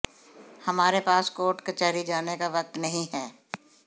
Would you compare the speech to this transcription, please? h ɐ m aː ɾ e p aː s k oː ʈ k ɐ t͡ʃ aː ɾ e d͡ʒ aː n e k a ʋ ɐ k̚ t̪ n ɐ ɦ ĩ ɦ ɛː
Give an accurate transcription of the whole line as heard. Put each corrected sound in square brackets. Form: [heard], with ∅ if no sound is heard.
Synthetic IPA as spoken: h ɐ m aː ɾ e p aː s k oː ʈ k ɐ t͡ʃ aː ɾ [i] d͡ʒ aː n e k a ʋ ɐ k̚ t̪ n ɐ ɦ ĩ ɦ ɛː